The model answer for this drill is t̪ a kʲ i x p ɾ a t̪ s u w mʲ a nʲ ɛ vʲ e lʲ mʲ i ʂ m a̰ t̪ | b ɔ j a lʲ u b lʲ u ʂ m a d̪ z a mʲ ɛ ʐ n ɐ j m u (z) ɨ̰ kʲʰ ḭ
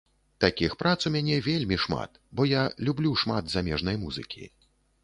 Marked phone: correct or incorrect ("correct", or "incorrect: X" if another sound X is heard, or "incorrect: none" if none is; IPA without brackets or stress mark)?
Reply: correct